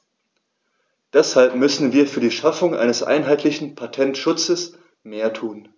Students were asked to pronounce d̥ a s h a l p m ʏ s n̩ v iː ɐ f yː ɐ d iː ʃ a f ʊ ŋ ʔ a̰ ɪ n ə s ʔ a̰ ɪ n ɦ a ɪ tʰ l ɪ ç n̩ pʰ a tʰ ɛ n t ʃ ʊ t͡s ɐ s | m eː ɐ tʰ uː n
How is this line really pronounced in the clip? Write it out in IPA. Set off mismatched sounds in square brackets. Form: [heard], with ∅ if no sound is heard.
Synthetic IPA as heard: d̥ [ɛ] s h a l p m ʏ s n̩ v iː ɐ f yː ɐ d iː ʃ a f ʊ ŋ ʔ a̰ ɪ n ə s ʔ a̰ ɪ n ɦ a ɪ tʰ l ɪ ç n̩ pʰ a tʰ ɛ n t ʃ ʊ t͡s [ə] s | m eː ɐ tʰ uː n